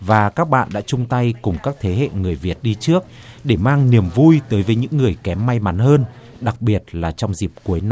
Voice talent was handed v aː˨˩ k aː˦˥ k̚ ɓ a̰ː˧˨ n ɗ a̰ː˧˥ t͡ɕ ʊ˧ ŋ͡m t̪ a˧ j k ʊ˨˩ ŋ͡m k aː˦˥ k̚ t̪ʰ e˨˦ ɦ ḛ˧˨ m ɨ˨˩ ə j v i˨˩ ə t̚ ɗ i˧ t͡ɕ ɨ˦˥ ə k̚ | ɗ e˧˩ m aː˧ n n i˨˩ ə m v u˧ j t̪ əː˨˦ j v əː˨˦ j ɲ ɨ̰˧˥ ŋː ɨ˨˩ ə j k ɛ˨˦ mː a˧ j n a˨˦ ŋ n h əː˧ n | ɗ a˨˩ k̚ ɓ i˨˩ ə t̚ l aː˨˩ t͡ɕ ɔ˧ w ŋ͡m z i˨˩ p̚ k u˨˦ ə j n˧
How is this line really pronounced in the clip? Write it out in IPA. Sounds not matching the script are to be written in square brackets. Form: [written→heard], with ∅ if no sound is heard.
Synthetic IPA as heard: v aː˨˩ k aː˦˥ k̚ ɓ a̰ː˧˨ n ɗ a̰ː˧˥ t͡ɕ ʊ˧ ŋ͡m t̪ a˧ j k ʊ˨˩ ŋ͡m k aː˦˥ k̚ t̪ʰ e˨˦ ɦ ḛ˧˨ [m→ŋ] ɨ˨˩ ə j v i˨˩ ə t̚ ɗ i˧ t͡ɕ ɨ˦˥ ə k̚ | ɗ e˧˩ m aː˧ [n→ŋ] n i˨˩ ə m v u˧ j t̪ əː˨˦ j v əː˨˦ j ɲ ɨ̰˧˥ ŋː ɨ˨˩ ə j k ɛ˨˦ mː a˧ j [n→m] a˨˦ [ŋ→∅] n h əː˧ n | ɗ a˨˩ k̚ ɓ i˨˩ ə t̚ l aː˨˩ t͡ɕ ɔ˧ w ŋ͡m z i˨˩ p̚ k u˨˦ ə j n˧